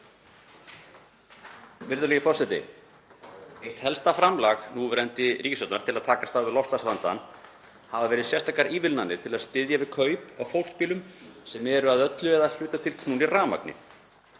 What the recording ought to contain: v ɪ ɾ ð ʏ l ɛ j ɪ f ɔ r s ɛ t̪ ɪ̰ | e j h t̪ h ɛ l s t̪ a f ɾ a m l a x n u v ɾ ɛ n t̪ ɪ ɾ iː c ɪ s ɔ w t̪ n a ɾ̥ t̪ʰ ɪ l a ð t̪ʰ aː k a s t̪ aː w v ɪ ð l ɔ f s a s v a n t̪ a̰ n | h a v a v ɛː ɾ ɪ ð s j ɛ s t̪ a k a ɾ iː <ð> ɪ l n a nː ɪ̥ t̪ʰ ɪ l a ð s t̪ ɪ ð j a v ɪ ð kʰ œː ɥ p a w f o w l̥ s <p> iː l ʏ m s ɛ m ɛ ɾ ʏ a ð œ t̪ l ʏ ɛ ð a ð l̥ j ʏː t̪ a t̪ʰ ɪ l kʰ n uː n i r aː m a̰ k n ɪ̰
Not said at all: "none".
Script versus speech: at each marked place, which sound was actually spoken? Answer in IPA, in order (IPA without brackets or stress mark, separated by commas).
v, p